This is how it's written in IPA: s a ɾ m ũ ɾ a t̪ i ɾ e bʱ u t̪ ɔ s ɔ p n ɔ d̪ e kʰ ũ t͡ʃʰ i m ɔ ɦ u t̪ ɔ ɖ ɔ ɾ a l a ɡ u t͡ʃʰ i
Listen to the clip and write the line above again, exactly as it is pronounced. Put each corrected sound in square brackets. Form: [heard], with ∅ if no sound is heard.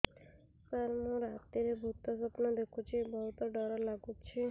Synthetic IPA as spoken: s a ɾ m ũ ɾ a t̪ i ɾ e bʱ u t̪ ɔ s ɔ p n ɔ d̪ e kʰ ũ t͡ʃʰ i [b] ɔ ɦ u t̪ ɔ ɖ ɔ ɾ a l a ɡ u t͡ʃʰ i